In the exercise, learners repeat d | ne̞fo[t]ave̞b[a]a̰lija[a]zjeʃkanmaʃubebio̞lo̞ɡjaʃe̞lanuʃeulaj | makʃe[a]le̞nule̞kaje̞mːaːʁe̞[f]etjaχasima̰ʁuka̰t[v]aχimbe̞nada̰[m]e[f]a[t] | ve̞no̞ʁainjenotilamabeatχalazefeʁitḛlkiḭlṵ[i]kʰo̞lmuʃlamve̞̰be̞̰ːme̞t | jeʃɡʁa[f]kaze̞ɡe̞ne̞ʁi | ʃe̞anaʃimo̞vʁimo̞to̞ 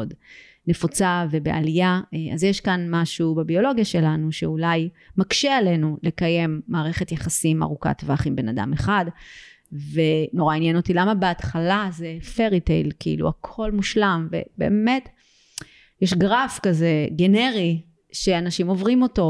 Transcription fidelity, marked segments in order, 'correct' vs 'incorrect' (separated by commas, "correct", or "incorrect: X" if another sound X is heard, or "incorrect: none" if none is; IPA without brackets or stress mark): incorrect: t͡s, incorrect: e, correct, correct, incorrect: χ, correct, correct, incorrect: χ, incorrect: d, incorrect: a, correct